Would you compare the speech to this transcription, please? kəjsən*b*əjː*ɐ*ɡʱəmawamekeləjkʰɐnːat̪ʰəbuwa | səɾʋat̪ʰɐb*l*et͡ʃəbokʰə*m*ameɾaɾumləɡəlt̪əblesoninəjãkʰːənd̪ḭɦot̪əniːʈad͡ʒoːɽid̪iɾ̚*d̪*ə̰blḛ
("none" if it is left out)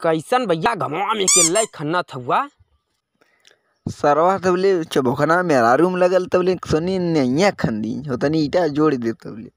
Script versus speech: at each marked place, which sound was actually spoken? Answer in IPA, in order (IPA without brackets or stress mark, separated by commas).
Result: b, a, l, n, t̪